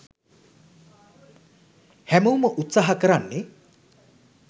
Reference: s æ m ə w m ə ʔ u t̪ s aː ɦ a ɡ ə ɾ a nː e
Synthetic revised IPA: h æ m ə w m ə ʔ u t̪ s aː ɦ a k ə ɾ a nː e